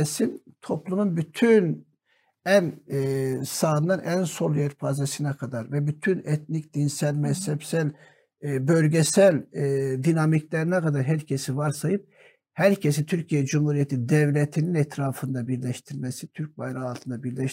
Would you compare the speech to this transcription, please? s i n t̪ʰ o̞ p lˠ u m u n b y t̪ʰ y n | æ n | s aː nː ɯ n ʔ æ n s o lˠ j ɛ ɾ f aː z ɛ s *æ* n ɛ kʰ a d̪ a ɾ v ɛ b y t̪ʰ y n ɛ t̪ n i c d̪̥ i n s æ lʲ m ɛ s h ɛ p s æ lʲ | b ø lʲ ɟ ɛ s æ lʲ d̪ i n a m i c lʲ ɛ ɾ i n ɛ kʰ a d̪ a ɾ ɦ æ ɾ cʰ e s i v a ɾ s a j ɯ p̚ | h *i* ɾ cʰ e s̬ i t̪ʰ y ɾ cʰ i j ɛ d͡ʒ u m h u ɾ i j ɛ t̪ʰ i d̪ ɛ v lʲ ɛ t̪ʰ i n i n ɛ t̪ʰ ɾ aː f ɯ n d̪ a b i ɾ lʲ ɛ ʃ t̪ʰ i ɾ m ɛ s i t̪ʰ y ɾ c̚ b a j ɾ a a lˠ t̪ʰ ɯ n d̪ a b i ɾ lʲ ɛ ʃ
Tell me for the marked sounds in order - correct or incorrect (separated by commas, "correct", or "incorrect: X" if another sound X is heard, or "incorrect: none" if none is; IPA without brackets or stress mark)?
incorrect: i, incorrect: æ